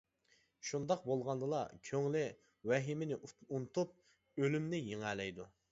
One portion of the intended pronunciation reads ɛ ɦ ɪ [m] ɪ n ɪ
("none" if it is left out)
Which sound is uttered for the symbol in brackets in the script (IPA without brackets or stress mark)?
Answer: m